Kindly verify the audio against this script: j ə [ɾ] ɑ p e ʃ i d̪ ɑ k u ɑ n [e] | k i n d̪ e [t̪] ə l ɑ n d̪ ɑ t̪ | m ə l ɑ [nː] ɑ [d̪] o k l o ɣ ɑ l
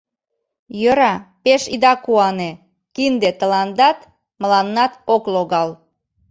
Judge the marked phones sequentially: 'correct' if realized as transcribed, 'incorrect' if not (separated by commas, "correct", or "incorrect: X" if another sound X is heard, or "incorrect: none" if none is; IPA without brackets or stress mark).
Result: correct, correct, correct, correct, incorrect: t̪